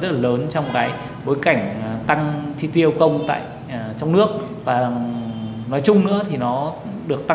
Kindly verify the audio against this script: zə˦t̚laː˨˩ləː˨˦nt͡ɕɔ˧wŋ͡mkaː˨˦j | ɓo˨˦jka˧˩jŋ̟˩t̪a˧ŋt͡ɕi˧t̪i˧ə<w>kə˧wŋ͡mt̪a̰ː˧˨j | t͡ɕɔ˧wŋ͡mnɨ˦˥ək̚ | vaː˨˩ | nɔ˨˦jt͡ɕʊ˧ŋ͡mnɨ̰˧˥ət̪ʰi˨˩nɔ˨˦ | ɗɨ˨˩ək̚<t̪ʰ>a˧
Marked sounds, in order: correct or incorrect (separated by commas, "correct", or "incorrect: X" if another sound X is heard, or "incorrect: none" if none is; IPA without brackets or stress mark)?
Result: correct, incorrect: t̪